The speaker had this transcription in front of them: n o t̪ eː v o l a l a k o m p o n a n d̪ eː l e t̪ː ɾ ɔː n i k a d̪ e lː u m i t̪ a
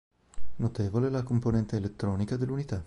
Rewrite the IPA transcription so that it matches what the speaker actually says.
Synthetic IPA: n o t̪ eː v o l e l a k o m p o n ɛ n t̪ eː l e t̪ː ɾ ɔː n i k a d̪ e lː u n i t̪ a

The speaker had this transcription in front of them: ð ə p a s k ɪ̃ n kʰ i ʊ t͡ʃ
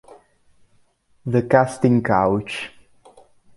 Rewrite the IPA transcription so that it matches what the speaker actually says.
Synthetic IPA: ð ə k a s t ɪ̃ ŋ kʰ a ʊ t͡ʃ

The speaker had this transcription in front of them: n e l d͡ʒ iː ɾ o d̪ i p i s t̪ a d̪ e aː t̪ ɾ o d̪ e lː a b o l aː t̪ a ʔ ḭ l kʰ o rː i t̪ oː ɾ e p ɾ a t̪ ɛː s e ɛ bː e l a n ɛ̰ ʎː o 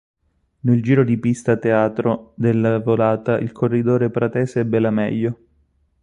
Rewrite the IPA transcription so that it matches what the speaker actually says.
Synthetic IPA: n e l d͡ʒ iː ɾ o d̪ i p i s t̪ a t̪ e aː t̪ ɾ o d̪ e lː a v o l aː t̪ a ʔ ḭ l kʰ o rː i d̪ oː ɾ e p ɾ a t̪ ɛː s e ɛ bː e l a m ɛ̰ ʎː o

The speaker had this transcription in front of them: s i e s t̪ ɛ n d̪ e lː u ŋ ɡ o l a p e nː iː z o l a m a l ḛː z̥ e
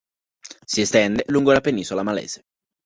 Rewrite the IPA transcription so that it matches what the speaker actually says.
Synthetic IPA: s i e s t̪ ɛ n d̪ e l u ŋ ɡ o l a p e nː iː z o l a m a l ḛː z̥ e

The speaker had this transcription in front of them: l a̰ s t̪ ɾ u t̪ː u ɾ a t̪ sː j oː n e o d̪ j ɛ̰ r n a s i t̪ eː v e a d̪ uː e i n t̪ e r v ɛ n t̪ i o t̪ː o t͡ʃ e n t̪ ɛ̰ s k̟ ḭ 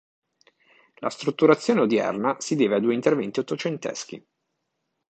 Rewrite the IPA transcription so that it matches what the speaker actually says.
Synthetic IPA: l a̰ s t̪ ɾ u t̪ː u ɾ a t̪ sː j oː n e o d̪ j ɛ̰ r n a s i d̪ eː v e a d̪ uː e i n t̪ e r v ɛ n t̪ i o t̪ː o t͡ʃ e n t̪ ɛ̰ s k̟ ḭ

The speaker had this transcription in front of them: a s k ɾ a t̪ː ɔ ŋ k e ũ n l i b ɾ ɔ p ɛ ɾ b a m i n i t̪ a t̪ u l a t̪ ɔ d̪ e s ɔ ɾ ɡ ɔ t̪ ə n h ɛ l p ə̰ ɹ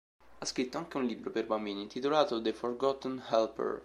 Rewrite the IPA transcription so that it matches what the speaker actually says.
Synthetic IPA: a s k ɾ i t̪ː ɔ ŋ k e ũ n l i b ɾ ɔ p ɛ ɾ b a m i n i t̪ i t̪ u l a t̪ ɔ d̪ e f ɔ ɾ ɡ ɔ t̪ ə n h ɛ l p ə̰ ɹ

